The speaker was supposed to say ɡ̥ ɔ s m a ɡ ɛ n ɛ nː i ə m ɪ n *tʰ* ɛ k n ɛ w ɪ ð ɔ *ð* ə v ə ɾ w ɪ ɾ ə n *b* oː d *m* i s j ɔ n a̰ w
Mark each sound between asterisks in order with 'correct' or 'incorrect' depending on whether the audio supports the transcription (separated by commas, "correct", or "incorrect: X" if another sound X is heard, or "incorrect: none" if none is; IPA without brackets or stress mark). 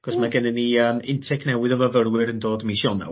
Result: correct, incorrect: v, incorrect: d, correct